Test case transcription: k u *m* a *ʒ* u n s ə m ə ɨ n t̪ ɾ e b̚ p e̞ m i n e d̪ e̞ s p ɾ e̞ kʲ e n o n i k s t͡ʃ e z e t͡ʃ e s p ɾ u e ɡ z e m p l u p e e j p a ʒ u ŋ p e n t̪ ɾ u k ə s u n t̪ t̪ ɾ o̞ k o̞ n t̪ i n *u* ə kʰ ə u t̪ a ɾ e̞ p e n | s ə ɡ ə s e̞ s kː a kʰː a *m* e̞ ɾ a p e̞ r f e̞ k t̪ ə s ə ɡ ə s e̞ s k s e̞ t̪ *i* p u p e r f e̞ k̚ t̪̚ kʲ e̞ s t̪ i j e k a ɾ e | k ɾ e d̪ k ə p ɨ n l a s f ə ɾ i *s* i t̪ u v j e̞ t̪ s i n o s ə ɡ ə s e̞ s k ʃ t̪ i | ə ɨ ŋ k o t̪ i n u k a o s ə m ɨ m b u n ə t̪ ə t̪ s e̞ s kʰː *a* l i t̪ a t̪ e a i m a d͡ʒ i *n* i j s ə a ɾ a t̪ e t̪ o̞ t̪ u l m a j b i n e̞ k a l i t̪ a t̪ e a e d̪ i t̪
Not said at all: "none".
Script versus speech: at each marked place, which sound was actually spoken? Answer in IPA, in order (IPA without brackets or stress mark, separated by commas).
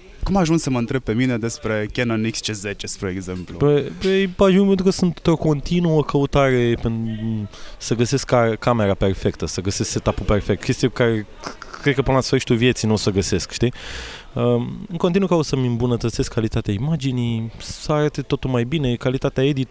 m, ʒ, u, m, a, ʃ, a, n